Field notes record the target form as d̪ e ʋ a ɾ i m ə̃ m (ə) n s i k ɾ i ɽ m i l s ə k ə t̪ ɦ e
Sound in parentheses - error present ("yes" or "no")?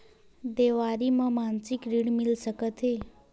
yes